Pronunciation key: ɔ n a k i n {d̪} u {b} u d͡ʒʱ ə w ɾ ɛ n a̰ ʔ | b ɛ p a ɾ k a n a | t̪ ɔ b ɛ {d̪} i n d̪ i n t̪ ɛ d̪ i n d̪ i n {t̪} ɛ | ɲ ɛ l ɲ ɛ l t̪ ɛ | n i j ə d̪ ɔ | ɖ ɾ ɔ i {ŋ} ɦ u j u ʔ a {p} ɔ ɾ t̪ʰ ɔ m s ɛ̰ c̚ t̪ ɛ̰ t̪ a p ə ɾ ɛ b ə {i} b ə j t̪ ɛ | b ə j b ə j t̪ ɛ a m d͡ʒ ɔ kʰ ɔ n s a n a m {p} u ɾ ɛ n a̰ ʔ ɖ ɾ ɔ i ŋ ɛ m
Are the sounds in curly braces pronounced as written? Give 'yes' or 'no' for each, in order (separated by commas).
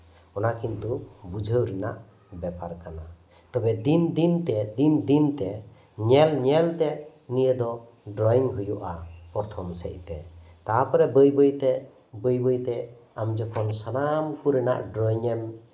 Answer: no, yes, yes, yes, yes, yes, no, no